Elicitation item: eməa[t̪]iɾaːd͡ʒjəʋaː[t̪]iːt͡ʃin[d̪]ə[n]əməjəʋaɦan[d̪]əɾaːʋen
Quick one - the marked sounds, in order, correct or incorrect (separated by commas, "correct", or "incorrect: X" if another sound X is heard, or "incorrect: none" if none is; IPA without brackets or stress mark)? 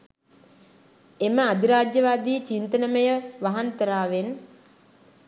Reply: incorrect: d̪, incorrect: d̪, incorrect: t̪, correct, incorrect: t̪